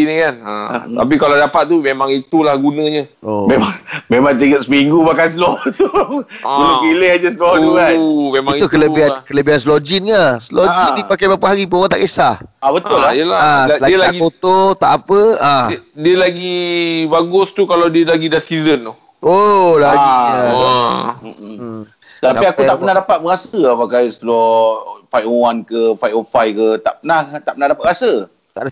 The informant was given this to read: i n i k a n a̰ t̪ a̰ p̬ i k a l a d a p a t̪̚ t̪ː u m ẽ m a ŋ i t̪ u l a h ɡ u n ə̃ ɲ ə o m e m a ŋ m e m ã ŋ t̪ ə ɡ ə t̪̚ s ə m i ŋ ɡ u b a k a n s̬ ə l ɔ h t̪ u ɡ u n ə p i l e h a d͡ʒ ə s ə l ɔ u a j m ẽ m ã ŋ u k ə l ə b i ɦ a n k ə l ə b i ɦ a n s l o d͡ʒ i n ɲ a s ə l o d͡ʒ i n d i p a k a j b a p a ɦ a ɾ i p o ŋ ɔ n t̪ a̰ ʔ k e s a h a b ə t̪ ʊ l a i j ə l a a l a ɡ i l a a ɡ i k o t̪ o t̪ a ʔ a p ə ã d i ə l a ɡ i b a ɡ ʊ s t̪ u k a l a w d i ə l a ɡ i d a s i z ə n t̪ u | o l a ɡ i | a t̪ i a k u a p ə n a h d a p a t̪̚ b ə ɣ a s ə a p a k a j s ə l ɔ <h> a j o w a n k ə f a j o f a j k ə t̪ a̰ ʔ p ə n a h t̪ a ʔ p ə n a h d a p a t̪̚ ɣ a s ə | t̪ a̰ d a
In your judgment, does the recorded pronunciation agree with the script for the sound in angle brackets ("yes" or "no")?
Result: no